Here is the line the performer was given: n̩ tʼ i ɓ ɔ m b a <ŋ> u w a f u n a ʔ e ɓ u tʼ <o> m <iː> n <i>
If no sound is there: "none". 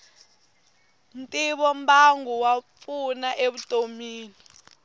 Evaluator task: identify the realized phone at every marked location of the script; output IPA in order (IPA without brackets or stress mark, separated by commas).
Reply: ŋ, o, iː, i